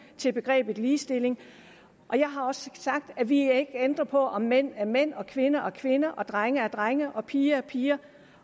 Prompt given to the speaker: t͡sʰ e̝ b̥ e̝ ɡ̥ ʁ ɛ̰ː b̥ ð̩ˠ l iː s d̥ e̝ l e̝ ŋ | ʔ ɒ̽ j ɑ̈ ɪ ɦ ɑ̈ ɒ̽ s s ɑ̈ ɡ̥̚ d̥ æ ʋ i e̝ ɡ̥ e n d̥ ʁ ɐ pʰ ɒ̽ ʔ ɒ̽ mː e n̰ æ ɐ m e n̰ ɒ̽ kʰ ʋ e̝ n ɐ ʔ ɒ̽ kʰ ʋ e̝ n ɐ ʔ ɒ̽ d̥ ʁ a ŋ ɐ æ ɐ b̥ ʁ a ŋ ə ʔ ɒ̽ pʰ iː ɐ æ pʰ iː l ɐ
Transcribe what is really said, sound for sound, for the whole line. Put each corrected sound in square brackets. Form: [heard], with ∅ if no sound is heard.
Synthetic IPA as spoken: t͡sʰ e̝ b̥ e̝ ɡ̥ ʁ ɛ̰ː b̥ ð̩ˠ l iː s d̥ e̝ l e̝ ŋ | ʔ ɒ̽ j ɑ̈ ɪ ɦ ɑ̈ ɒ̽ s s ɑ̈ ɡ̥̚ d̥ æ ʋ i e̝ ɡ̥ e n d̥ ʁ ɐ pʰ ɒ̽ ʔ ɒ̽ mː e n̰ æ ɐ m e n̰ ɒ̽ kʰ ʋ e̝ n ɐ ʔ ɒ̽ kʰ ʋ e̝ n ɐ ʔ ɒ̽ d̥ ʁ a ŋ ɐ æ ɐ [d̥] ʁ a ŋ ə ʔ ɒ̽ pʰ iː ɐ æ pʰ iː [∅] ɐ